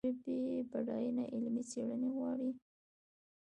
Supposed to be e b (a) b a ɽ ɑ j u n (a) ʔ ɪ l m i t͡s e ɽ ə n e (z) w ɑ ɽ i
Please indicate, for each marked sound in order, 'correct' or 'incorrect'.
incorrect, correct, incorrect

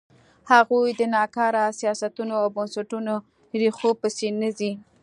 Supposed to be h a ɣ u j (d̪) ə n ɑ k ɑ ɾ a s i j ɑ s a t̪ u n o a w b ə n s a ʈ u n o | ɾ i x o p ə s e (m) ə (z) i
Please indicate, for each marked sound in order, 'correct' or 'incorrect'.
correct, incorrect, correct

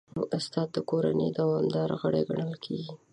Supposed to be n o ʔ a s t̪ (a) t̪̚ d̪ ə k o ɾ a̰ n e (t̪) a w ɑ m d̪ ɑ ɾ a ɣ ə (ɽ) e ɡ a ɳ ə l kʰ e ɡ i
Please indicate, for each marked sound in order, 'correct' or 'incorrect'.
incorrect, incorrect, correct

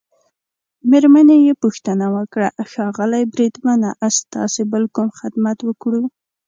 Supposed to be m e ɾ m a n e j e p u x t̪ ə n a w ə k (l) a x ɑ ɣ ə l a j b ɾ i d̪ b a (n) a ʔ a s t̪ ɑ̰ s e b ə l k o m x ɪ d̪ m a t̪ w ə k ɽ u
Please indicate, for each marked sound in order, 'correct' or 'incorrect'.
incorrect, correct

